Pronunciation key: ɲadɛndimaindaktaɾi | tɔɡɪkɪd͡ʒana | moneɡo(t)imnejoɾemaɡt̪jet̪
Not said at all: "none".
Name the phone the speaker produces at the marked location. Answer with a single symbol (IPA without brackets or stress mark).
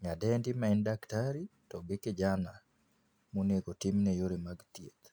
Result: t